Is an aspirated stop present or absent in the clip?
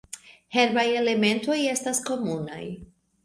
absent